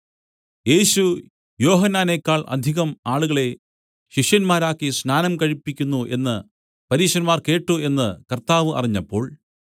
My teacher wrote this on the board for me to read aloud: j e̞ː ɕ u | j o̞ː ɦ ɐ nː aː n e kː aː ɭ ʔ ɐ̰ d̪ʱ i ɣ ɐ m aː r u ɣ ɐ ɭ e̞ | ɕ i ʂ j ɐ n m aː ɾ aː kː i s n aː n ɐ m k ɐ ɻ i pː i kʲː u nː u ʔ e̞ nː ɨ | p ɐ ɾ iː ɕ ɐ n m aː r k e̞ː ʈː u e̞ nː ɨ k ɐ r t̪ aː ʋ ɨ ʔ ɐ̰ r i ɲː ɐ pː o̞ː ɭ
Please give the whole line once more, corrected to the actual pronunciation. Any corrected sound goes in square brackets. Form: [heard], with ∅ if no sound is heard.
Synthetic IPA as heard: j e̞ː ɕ u | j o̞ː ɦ ɐ nː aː n e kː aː ɭ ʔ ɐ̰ d̪ʱ i ɣ ɐ m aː [ɭ] u ɣ ɐ ɭ e̞ | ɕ i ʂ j ɐ n m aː ɾ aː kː i s n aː n ɐ m k ɐ ɻ i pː i kʲː u nː u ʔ e̞ nː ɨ | p ɐ ɾ iː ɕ ɐ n m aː r k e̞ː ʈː u e̞ nː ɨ k ɐ r t̪ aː ʋ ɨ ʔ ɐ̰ r i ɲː ɐ pː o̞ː ɭ

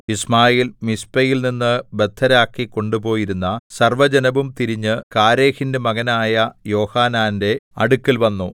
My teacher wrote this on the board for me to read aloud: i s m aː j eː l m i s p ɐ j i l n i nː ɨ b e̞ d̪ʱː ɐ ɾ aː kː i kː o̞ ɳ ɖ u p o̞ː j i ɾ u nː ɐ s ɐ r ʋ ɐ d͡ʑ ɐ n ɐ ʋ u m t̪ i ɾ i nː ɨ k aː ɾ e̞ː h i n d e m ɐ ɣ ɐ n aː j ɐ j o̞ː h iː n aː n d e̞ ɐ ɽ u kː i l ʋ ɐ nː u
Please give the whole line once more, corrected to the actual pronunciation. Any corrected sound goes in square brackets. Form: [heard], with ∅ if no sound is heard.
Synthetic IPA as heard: i s m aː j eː l m i s p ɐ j i l n i nː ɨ b e̞ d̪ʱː ɐ ɾ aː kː i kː o̞ ɳ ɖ u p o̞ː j i ɾ u nː ɐ s ɐ r ʋ ɐ d͡ʑ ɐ n ɐ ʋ u m t̪ i ɾ i [ɲː] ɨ k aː ɾ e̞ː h i n d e m ɐ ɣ ɐ n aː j ɐ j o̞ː h [aː] n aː n d e̞ ɐ ɽ u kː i l ʋ ɐ nː u

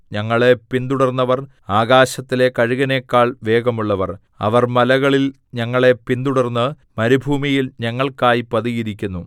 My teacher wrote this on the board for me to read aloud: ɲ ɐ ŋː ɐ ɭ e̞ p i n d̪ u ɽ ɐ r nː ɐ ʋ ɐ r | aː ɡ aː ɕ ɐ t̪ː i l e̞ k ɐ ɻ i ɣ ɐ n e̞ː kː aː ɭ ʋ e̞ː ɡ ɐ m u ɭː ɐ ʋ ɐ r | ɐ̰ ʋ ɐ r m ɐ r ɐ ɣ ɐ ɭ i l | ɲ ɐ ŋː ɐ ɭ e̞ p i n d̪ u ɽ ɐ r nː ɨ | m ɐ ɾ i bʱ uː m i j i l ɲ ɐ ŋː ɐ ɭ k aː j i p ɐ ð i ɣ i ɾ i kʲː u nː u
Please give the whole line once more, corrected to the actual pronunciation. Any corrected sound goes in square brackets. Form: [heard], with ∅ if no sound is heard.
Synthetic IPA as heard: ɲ ɐ ŋː ɐ ɭ e̞ p i n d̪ u ɽ ɐ r nː ɐ ʋ ɐ r | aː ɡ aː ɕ ɐ t̪ː i l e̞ k ɐ ɻ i ɣ ɐ n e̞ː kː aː ɭ ʋ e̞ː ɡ ɐ m u ɭː ɐ ʋ ɐ r | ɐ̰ ʋ ɐ r m ɐ [l] ɐ ɣ ɐ ɭ i l | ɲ ɐ ŋː ɐ ɭ e̞ p i n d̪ u ɽ ɐ r nː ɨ | m ɐ ɾ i bʱ uː m i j i l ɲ ɐ ŋː ɐ ɭ k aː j i p ɐ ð i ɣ i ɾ i kʲː u nː u

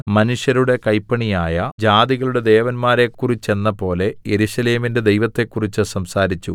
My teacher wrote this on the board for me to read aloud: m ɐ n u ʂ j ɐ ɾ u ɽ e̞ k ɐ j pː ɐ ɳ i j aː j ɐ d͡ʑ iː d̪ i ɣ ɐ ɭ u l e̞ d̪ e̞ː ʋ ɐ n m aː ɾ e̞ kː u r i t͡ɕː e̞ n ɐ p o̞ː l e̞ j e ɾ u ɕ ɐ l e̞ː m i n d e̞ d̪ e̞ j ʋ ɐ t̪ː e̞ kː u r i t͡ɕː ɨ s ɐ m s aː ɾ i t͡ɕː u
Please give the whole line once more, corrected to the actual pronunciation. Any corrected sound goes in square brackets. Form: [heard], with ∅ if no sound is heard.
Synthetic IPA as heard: m ɐ n u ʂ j ɐ ɾ u ɽ e̞ k ɐ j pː ɐ ɳ i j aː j ɐ d͡ʑ [aː] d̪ i ɣ ɐ ɭ u [ɽ] e̞ d̪ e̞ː ʋ ɐ n m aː ɾ e̞ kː u r i t͡ɕː e̞ [nː] ɐ p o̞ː l e̞ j e ɾ u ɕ ɐ l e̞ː m i n d e̞ d̪ e̞ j ʋ ɐ t̪ː e̞ kː u r i t͡ɕː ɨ s ɐ m s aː ɾ i t͡ɕː u

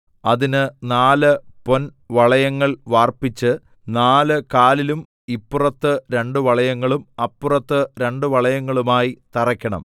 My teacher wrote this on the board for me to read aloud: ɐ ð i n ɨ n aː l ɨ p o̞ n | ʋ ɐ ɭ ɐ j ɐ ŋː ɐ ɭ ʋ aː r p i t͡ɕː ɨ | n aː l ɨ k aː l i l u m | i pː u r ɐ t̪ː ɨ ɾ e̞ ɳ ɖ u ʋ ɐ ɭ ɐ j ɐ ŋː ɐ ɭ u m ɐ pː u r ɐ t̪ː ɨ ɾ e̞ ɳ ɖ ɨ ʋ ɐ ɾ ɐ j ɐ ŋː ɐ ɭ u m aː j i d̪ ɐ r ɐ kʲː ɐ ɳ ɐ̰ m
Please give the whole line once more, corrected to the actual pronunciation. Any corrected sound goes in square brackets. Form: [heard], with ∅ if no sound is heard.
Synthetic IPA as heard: ɐ ð i n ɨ n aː l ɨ p o̞ n | ʋ ɐ ɭ ɐ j ɐ ŋː ɐ ɭ ʋ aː r p i t͡ɕː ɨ | n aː l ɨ k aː l i l u m | i pː u r ɐ t̪ː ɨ ɾ e̞ ɳ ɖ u ʋ ɐ ɭ ɐ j ɐ ŋː ɐ ɭ u m ɐ pː u r ɐ t̪ː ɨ ɾ e̞ ɳ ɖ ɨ ʋ ɐ [ɭ] ɐ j ɐ ŋː ɐ ɭ u m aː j i [t̪] ɐ r ɐ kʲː ɐ ɳ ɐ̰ m

